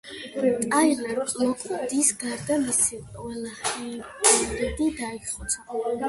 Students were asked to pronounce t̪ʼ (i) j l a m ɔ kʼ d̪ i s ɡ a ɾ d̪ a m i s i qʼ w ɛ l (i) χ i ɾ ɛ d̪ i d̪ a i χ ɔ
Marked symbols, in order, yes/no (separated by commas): no, no